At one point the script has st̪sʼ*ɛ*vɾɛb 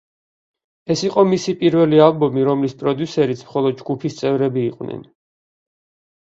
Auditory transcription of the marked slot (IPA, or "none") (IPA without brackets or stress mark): ɛ